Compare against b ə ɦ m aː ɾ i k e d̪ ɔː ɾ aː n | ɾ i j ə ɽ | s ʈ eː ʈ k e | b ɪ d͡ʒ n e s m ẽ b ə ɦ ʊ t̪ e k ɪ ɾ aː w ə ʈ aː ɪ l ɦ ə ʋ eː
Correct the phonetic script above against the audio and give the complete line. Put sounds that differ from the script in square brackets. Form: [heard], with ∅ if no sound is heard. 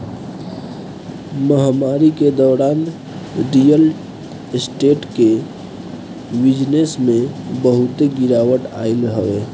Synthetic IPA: [m] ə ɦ m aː ɾ i k e d̪ ɔː ɾ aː n | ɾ i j ə [l] | s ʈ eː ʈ k e | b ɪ d͡ʒ n e s m ẽ b ə ɦ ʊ t̪ e [ɡ] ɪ ɾ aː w ə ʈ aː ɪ l ɦ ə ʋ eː